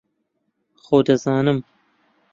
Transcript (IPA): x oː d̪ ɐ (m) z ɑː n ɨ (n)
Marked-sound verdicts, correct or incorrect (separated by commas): incorrect, incorrect